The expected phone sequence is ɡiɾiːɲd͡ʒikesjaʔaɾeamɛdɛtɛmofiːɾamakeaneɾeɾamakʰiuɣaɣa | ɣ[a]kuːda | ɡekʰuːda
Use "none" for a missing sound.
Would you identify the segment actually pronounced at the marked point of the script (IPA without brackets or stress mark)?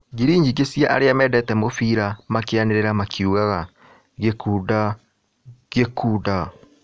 e